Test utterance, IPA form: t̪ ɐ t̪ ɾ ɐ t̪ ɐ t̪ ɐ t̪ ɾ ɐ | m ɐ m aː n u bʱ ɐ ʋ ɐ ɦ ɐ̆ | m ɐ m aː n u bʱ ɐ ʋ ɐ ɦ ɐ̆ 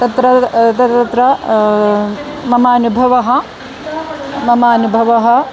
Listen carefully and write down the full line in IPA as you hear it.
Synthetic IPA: t̪ ɐ t̪ ɾ ɐ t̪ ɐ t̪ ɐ t̪ ɾ ɐ | m ɐ m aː n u bʱ ɐ ʋ ɐ ɦ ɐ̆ | m ɐ m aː n u bʱ ɐ ʋ ɐ ɦ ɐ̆